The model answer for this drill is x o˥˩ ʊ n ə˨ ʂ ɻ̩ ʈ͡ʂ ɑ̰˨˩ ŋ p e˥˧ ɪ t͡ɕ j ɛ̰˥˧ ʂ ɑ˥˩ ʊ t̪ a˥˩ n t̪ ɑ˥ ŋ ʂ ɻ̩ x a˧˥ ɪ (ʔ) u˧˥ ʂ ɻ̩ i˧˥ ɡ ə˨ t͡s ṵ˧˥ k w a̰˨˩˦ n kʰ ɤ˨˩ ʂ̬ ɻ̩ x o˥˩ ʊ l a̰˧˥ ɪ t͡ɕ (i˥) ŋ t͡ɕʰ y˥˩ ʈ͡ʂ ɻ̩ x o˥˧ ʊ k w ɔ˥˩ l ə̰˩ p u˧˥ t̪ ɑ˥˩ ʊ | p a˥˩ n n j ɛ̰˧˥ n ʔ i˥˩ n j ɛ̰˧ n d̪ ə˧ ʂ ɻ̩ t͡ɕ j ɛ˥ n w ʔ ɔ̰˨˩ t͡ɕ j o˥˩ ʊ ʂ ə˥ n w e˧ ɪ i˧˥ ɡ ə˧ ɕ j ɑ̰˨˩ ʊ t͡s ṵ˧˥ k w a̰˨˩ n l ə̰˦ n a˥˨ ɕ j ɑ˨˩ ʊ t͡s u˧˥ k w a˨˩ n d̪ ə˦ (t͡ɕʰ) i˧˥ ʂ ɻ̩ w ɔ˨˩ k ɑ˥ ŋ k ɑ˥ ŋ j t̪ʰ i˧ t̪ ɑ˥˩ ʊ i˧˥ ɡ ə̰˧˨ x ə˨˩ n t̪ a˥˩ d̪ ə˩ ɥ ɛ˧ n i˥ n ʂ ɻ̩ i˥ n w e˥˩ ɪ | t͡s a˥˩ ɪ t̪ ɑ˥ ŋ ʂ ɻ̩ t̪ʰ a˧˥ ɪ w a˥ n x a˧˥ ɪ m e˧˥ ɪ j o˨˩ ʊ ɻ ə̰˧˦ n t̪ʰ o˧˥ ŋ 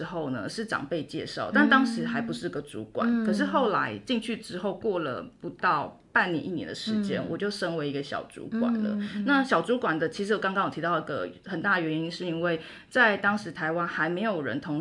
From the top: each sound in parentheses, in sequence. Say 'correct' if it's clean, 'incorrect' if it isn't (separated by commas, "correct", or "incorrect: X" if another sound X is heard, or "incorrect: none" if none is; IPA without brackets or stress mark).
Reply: incorrect: p, incorrect: i˥˧, correct